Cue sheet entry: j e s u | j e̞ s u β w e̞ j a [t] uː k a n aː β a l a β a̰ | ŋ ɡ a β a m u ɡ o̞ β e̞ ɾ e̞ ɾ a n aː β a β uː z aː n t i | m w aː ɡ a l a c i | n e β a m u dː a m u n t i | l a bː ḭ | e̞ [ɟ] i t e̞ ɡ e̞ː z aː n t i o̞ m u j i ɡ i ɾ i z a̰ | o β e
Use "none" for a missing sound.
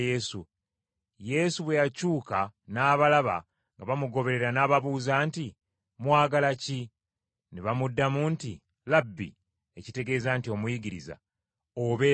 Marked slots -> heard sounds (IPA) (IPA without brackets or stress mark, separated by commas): c, c